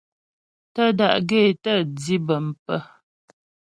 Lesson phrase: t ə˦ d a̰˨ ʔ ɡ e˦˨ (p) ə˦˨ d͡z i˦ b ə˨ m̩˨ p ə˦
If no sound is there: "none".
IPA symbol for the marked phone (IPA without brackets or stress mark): t